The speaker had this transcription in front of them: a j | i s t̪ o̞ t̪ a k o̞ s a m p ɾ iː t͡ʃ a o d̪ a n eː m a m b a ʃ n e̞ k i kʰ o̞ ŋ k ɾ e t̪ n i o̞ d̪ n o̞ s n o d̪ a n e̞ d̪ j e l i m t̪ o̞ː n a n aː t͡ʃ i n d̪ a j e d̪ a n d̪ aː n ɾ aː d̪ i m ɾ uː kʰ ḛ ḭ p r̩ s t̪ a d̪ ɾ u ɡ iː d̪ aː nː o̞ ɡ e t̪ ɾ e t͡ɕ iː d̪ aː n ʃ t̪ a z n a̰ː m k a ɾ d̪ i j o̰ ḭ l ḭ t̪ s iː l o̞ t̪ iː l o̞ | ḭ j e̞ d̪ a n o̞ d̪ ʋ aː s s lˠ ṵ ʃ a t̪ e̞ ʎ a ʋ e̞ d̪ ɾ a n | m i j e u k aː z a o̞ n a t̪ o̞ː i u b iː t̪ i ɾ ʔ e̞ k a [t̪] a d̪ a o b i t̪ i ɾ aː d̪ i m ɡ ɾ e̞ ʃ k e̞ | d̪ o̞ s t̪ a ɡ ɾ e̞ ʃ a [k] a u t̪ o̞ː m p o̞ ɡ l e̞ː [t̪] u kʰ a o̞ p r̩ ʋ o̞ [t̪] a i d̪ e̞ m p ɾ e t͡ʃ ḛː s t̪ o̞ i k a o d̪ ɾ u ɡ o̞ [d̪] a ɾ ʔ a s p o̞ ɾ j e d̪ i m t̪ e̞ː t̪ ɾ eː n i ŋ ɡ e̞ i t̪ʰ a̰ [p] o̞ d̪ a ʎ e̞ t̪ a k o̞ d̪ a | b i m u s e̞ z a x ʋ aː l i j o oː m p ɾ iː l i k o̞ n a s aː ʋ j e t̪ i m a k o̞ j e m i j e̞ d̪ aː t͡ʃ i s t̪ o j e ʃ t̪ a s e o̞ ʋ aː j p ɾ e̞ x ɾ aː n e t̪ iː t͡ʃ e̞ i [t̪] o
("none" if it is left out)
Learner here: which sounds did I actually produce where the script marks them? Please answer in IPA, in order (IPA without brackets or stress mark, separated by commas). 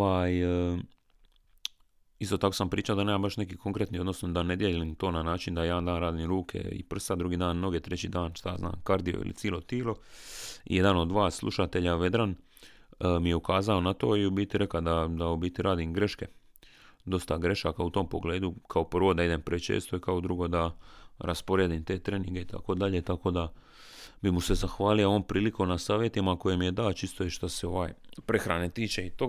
d̪, k, d̪, d̪, d̪, k, t̪